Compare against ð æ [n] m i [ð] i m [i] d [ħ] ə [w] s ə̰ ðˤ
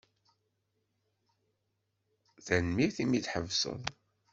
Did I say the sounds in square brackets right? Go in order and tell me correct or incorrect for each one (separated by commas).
correct, incorrect, correct, correct, incorrect